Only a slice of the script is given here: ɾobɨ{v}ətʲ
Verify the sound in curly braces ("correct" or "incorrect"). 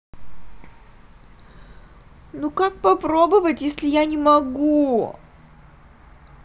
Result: correct